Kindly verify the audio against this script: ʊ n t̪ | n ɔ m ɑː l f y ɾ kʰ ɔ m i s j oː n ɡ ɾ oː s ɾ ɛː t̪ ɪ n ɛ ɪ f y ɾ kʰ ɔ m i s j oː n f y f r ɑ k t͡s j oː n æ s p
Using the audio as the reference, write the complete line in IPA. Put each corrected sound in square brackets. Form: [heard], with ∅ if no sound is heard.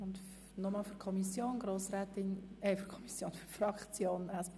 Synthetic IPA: ʊ n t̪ | n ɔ m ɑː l f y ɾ kʰ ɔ m i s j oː n ɡ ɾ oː s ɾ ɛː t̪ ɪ n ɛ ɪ f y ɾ kʰ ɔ m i s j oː n f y f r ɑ k t͡s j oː n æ s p